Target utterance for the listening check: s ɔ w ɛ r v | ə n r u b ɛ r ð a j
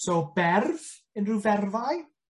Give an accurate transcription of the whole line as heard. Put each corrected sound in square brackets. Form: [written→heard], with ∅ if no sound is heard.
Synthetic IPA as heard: s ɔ [w→b] ɛ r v | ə n r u [b→v] ɛ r [ð→v] a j